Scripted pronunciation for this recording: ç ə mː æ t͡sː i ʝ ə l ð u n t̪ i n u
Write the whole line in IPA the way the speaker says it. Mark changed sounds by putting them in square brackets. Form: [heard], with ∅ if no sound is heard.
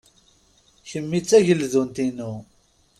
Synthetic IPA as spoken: ç ə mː [i] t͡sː [æ] ʝ ə l ð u n t̪ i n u